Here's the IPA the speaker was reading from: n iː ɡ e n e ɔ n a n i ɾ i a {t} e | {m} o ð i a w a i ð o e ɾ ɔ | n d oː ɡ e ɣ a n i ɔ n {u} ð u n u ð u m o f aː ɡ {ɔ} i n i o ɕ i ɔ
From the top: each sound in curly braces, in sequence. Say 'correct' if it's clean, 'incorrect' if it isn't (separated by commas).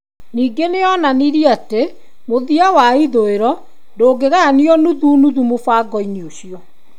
correct, correct, correct, correct